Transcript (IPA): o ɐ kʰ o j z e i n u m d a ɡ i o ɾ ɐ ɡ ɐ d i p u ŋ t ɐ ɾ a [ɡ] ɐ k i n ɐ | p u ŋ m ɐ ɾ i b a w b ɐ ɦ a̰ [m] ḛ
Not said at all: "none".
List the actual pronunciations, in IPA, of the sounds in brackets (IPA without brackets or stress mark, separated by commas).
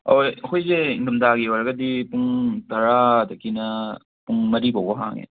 d, ŋ